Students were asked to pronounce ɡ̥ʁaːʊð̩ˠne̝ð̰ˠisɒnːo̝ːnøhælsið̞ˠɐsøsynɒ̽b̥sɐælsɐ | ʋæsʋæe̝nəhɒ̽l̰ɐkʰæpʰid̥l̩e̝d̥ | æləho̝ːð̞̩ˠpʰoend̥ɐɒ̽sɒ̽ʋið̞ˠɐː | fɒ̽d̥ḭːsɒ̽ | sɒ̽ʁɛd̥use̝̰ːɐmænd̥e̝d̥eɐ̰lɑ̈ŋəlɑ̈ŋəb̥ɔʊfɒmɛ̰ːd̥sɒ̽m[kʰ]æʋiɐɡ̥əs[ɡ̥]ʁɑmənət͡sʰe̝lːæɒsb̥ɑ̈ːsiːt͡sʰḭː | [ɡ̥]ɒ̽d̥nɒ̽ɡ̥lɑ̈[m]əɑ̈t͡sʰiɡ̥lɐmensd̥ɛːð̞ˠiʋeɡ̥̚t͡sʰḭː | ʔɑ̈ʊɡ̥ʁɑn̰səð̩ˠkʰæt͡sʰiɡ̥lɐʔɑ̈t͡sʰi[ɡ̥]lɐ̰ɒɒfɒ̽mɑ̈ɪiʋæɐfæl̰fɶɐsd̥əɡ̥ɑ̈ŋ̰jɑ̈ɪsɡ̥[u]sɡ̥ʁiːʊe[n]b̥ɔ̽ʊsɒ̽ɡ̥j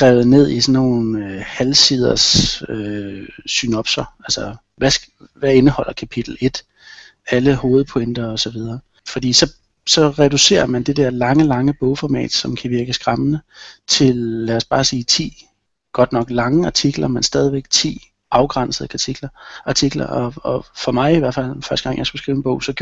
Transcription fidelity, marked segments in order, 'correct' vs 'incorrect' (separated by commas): correct, correct, correct, incorrect, correct, correct, correct